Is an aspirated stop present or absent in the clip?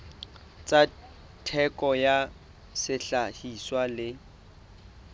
present